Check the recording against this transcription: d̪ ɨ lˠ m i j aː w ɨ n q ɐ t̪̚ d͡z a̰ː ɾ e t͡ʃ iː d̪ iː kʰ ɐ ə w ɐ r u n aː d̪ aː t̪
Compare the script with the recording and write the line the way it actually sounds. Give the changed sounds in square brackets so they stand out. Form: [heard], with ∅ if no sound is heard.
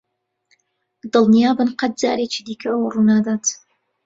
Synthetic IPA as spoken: d̪ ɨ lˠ [n] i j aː [b] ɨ n q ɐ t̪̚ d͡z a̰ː ɾ e t͡ʃ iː d̪ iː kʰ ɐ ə w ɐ r u n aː d̪ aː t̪